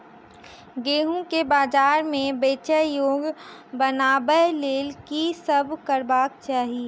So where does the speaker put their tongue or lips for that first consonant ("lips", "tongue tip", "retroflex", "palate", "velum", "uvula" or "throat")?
velum